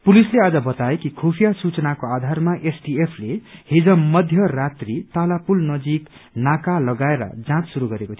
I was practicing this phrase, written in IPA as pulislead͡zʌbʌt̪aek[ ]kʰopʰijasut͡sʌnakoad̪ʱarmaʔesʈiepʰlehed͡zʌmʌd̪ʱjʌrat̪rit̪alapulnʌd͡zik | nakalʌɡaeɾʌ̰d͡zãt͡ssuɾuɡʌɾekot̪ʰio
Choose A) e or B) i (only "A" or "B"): B